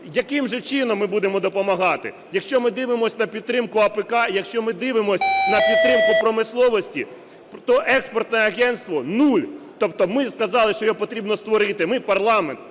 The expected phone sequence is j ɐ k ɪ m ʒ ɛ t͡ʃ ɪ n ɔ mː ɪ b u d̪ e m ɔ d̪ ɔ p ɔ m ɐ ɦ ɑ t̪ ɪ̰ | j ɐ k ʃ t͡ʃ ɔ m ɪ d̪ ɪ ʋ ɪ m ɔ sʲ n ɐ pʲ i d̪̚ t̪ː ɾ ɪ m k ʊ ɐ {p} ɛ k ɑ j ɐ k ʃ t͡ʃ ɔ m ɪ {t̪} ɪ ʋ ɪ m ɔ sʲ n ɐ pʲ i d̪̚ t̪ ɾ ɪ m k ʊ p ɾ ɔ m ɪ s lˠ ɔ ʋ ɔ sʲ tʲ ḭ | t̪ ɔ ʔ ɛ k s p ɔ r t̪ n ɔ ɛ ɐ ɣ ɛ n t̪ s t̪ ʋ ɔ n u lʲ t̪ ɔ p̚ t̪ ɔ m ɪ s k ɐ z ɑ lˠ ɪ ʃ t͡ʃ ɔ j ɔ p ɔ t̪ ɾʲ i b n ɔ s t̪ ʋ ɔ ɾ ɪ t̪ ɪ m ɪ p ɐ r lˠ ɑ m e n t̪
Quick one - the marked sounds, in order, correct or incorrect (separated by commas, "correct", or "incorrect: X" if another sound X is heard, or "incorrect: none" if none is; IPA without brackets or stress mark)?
correct, incorrect: d̪